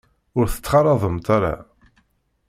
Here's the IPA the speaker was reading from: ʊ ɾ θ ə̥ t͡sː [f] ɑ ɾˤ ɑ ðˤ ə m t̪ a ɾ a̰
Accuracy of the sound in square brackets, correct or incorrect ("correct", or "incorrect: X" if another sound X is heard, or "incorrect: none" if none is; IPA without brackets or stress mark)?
incorrect: χ